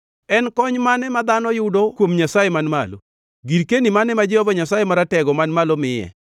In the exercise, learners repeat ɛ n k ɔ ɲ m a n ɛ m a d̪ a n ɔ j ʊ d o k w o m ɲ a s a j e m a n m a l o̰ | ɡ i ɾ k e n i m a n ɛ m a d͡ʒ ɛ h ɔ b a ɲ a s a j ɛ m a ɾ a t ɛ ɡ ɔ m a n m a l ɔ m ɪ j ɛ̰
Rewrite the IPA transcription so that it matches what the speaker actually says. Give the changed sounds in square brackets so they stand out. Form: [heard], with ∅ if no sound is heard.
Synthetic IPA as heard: ɛ n k ɔ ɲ m a n ɛ m a d̪ a n ɔ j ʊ d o k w o m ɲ a s a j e m a n m a l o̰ | ɡ i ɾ k e n i m a n ɛ m a d͡ʒ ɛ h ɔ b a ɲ a s a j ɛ m a ɾ a t ɛ ɡ ɔ m a n m a l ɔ m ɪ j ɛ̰